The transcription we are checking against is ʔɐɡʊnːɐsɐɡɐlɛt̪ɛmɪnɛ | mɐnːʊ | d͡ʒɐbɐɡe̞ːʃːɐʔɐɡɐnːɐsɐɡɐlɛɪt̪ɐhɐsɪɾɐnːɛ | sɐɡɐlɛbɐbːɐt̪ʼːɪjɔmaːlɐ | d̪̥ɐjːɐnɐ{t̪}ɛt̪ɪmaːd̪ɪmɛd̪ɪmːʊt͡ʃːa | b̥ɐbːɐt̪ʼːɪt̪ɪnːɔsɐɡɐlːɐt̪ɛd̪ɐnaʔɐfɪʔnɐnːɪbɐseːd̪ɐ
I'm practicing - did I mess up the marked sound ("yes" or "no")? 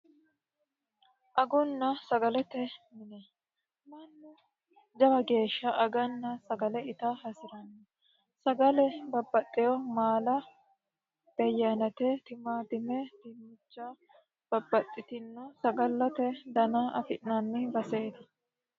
no